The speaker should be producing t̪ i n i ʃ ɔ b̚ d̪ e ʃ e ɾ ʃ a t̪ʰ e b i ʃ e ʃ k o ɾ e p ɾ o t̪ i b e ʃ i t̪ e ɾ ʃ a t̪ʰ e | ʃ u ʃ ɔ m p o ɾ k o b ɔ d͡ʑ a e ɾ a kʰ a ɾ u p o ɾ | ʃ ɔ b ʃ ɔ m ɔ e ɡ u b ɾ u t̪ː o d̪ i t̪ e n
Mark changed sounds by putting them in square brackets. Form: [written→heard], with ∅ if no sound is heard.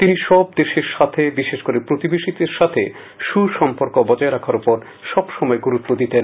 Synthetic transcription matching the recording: t̪ i n i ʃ ɔ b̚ d̪ e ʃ e ɾ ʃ a t̪ʰ e b i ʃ e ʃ k o ɾ e p ɾ o t̪ i b e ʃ i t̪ e ɾ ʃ a t̪ʰ e | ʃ u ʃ ɔ m p o ɾ k o b ɔ d͡ʑ a e ɾ a kʰ a ɾ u p o ɾ | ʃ ɔ b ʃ ɔ m ɔ e ɡ u [b→∅] ɾ u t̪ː o d̪ i t̪ e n